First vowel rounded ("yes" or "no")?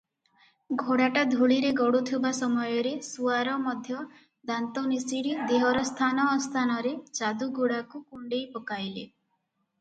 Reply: yes